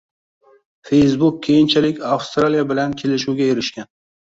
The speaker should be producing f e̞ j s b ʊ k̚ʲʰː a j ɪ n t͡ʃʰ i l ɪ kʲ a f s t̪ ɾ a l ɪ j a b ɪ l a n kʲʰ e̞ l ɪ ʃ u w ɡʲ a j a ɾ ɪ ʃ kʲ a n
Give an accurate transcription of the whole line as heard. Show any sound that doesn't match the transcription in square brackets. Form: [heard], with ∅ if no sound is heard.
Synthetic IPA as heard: f e̞ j s b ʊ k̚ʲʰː [e] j ɪ n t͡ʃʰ [a] l ɪ kʲ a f s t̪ ɾ a l [i] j a b ɪ l a n kʲʰ e̞ l ɪ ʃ u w ɡʲ a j [e] ɾ ɪ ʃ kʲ a n